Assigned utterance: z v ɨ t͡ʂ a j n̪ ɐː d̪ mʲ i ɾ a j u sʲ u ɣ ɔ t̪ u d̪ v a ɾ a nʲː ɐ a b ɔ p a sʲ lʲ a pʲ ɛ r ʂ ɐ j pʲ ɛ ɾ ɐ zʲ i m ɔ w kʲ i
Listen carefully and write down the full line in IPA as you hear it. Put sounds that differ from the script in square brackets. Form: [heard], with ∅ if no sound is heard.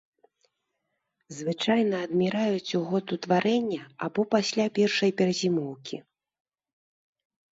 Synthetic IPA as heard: z v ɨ t͡ʂ a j n̪ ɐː d̪ mʲ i ɾ a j u [t͡sʲ] u ɣ ɔ t̪ u [t̪] v a ɾ [ɛ] nʲː ɐ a b ɔ p a sʲ lʲ a pʲ ɛ r ʂ ɐ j pʲ ɛ ɾ ɐ zʲ i m ɔ w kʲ i